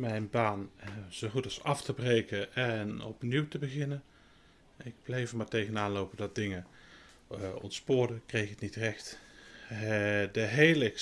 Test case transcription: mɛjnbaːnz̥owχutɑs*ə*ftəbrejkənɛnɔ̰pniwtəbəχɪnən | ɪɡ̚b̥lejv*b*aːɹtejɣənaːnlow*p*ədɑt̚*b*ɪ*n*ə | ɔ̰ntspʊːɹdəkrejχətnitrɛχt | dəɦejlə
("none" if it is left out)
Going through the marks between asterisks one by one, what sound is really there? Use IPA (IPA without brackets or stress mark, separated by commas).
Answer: ɑ, m, p, d, ŋ